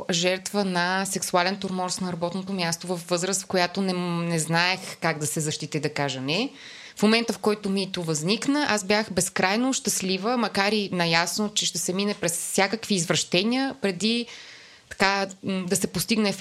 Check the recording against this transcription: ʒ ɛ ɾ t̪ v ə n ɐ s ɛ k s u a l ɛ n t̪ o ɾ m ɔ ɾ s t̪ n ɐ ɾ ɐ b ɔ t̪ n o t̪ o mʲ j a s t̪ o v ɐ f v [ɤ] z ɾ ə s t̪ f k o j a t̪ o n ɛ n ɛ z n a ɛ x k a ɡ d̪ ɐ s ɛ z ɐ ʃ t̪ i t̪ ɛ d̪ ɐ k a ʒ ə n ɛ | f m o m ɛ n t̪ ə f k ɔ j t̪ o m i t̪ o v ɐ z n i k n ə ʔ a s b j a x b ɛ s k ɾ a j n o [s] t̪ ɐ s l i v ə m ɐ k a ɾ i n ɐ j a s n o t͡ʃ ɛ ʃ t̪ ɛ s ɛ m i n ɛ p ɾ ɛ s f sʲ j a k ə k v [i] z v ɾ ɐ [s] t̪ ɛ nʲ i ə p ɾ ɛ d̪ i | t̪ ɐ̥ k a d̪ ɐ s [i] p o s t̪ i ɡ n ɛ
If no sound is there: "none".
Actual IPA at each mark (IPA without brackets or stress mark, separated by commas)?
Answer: ɤ, ʃ, iː, ʃ, ɛ